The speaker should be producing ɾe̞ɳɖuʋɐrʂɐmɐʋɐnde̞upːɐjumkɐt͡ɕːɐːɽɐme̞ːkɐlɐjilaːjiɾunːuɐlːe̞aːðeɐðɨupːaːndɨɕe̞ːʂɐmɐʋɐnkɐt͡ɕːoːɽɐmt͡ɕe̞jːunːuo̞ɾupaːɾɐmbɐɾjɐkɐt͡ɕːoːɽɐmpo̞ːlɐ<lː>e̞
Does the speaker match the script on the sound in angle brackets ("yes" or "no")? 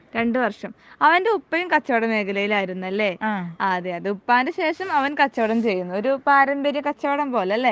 yes